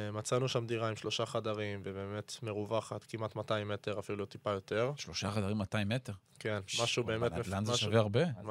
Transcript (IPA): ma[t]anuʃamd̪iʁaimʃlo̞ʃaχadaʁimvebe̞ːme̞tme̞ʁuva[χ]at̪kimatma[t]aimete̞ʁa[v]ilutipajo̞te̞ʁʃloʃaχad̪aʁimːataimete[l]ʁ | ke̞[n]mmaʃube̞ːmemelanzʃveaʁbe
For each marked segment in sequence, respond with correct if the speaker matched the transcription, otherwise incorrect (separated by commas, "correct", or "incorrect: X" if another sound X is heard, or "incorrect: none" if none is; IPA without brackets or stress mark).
incorrect: t͡s, correct, correct, incorrect: f, incorrect: none, correct